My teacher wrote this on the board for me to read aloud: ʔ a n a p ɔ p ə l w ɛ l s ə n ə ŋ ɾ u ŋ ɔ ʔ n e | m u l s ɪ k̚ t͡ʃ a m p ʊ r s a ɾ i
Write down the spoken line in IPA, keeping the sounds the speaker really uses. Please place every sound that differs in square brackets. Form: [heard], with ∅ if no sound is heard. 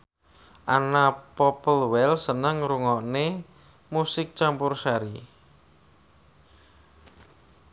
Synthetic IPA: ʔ a n a p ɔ p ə l w ɛ l s ə n ə ŋ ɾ u ŋ ɔ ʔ n e | m u [∅] s ɪ k̚ t͡ʃ a m p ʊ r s a ɾ i